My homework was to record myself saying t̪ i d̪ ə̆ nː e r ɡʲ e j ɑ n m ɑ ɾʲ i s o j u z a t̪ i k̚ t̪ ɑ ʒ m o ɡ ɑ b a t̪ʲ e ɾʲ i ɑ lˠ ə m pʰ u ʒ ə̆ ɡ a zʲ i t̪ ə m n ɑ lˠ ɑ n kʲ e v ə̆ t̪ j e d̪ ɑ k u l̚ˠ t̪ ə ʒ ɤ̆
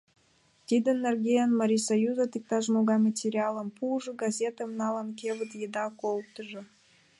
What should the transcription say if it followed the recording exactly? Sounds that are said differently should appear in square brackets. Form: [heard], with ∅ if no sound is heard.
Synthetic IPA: t̪ i d̪ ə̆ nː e r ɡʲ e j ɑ n m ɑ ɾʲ i s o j u z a t̪ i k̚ t̪ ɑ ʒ m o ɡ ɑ [m] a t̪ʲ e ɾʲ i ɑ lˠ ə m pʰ u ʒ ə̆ ɡ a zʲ [e] t̪ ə m n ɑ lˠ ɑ n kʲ e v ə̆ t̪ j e d̪ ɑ k [o] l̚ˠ t̪ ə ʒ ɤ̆